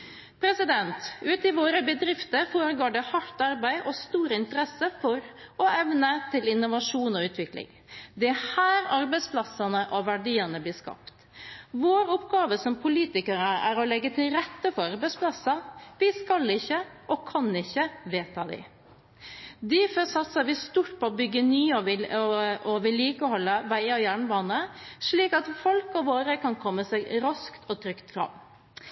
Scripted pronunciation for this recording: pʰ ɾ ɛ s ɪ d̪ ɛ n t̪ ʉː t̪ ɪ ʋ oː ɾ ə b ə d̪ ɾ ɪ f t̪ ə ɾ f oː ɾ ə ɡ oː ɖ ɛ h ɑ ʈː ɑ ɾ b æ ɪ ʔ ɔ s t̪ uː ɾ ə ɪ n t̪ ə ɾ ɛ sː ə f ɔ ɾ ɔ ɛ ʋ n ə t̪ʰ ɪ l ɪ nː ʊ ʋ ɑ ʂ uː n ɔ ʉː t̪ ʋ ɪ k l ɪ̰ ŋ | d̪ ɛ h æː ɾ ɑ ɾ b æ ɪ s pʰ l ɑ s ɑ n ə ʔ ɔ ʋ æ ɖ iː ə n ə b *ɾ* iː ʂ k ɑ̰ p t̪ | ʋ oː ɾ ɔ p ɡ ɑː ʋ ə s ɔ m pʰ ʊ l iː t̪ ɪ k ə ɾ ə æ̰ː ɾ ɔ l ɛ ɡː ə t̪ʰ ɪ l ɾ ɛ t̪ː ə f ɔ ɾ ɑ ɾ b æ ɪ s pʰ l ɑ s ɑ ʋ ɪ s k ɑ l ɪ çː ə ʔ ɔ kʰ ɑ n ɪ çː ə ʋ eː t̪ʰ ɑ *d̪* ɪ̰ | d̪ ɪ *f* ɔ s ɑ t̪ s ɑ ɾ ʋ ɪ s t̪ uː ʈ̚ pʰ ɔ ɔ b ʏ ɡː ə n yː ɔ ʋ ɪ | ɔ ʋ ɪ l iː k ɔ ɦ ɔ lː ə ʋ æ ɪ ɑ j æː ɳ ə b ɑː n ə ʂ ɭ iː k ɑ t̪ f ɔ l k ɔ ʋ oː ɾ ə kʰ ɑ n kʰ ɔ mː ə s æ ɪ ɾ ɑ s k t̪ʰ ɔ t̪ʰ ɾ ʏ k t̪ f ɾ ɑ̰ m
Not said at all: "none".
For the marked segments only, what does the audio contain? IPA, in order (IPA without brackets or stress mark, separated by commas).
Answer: l, d̪, f